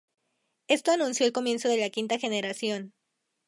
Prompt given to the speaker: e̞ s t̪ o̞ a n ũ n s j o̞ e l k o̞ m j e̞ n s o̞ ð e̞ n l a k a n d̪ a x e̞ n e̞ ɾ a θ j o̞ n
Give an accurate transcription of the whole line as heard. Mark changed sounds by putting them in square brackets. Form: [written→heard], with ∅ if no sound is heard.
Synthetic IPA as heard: e̞ s t̪ o̞ a n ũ n s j o̞ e l k o̞ m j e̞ n s o̞ ð e̞ [n→∅] l a k [a→i] n [d̪→t̪] a x e̞ n e̞ ɾ a [θ→s] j o̞ n

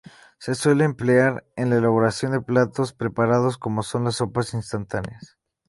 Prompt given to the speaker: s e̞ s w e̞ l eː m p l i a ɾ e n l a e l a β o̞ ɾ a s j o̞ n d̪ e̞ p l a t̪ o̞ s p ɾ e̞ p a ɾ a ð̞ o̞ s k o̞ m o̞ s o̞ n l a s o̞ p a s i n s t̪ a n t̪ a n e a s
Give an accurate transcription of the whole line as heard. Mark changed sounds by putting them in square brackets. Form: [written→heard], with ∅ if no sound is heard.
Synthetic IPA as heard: s e̞ s w e̞ l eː m p l [i→e] a ɾ e n l a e l a β o̞ ɾ a s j o̞ n d̪ e̞ p l a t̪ o̞ s p ɾ e̞ p a ɾ a ð̞ o̞ s k o̞ m o̞ s o̞ n l a s o̞ p a s i n s t̪ a n t̪ a n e a s

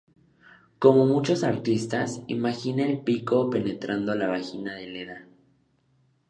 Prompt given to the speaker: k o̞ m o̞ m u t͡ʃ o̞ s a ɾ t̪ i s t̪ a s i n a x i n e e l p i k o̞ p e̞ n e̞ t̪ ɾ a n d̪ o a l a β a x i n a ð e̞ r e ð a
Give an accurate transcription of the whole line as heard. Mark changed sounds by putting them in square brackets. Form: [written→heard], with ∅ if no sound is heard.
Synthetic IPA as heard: k o̞ m o̞ m u t͡ʃ o̞ s a ɾ t̪ i s t̪ a s i [n→m] a x i n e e l p i k o̞ p e̞ n e̞ t̪ ɾ a n d̪ o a l a β a x i n a ð e̞ [r→l] e ð a

